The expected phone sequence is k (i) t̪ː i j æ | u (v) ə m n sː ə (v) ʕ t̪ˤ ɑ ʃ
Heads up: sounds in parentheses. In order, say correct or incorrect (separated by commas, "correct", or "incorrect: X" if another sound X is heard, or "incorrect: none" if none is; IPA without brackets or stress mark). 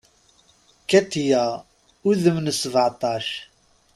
incorrect: æ, incorrect: ð, correct